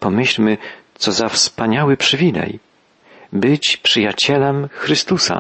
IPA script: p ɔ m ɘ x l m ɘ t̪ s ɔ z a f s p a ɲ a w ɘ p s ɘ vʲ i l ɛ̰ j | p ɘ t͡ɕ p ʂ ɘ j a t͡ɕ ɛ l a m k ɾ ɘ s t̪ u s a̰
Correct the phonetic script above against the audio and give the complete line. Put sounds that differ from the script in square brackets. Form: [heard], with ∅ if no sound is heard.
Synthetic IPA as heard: p ɔ m ɘ [ɕ] l m ɘ t̪ s ɔ z a f s p a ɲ a w ɘ p [ʂ] ɘ vʲ i l ɛ̰ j | [b] ɘ t͡ɕ p ʂ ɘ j a t͡ɕ ɛ l [ɛ] m [x] ɾ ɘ s t̪ u s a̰